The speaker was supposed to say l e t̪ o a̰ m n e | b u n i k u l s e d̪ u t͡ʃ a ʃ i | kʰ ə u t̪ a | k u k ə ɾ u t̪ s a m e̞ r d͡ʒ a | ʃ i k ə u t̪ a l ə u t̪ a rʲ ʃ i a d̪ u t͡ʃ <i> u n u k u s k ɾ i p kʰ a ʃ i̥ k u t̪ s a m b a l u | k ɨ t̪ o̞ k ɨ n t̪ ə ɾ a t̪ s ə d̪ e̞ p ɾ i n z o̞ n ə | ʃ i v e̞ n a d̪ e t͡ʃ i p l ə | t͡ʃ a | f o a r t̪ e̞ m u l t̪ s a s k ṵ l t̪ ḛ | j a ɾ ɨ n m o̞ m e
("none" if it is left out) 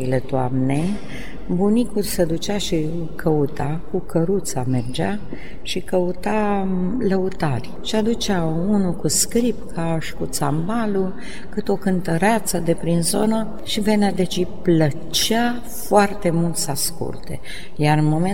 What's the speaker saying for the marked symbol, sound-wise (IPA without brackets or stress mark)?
a